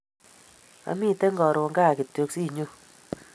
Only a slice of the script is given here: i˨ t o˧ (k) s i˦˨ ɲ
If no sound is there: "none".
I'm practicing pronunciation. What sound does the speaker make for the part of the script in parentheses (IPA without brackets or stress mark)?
k